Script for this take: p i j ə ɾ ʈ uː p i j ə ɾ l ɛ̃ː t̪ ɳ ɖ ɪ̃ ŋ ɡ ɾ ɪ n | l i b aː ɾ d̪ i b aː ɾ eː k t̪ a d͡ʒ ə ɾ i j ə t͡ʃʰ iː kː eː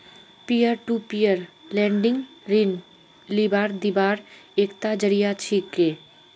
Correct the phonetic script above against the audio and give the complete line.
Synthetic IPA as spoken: p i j ə ɾ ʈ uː p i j ə ɾ l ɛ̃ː ɳ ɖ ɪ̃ ŋ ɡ ɾ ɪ n | l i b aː ɾ d̪ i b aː ɾ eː k t̪ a d͡ʒ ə ɾ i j a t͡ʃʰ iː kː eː